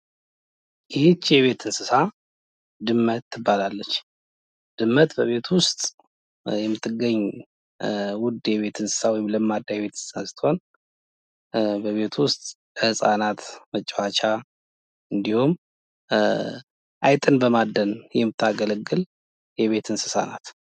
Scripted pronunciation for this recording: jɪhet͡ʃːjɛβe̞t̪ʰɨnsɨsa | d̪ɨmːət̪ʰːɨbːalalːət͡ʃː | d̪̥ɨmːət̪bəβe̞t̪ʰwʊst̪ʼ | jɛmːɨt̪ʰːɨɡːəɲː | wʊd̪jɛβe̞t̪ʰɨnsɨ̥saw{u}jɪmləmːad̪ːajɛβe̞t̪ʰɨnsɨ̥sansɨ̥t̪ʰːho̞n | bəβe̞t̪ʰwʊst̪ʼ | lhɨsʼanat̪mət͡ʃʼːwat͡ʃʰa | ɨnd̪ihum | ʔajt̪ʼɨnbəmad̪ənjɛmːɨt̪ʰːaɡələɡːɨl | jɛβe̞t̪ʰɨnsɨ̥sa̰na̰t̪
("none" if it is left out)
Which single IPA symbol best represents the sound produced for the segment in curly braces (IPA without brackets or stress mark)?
ɔ